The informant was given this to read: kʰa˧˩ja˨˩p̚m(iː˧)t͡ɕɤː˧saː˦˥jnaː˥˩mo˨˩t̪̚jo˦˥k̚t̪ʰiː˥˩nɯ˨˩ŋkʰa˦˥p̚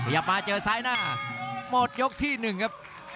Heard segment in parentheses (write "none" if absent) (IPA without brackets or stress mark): aː˧